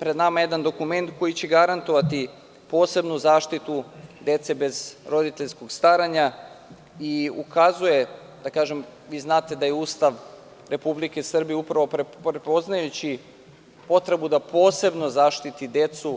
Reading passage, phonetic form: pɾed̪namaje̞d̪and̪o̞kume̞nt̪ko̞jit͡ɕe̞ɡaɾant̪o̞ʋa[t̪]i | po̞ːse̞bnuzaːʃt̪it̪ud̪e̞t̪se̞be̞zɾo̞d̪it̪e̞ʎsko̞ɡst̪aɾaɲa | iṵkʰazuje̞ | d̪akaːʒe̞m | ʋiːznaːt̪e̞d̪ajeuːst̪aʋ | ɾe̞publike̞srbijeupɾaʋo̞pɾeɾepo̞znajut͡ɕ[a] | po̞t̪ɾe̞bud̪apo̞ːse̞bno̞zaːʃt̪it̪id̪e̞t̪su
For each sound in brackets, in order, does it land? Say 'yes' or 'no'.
yes, no

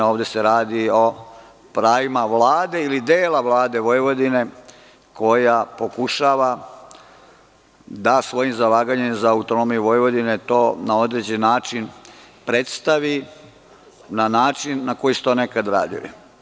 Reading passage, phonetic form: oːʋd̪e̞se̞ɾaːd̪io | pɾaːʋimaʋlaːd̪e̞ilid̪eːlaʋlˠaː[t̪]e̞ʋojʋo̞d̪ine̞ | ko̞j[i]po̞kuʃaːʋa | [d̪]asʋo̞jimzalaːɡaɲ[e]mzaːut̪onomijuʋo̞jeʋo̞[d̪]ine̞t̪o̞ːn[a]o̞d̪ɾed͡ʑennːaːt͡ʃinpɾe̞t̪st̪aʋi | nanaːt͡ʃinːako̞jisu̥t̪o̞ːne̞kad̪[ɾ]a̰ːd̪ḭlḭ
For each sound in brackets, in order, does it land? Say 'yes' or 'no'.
no, no, yes, yes, yes, yes, yes

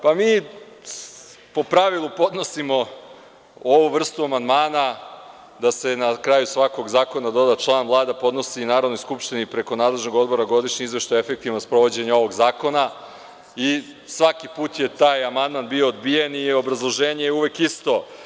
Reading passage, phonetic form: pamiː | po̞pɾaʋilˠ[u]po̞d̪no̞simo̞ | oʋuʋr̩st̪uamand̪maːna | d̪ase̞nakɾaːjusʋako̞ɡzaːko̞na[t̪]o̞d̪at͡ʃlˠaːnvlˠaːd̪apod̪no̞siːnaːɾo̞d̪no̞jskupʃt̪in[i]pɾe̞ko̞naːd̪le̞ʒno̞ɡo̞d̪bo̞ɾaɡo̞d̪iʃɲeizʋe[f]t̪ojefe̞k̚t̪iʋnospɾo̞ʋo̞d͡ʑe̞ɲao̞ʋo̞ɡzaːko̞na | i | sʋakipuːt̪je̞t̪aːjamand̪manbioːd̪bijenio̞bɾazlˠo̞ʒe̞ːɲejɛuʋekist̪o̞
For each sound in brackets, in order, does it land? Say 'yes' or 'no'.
yes, no, yes, no

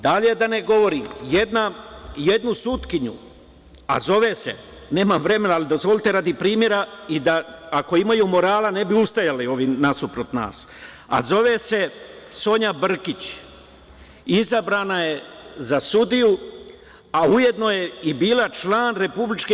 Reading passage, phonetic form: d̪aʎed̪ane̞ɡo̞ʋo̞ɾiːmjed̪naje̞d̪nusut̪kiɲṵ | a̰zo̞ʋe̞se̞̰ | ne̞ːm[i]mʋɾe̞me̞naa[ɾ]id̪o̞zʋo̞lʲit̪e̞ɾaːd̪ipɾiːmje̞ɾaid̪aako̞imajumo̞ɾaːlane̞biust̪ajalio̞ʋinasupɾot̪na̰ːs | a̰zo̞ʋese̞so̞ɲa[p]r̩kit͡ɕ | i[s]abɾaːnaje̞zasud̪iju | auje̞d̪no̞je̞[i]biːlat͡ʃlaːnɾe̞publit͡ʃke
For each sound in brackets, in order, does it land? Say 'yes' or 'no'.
no, no, no, no, yes

